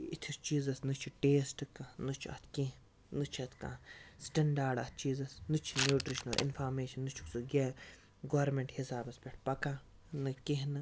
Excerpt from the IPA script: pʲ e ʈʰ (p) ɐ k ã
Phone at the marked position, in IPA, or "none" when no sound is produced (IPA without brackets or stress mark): p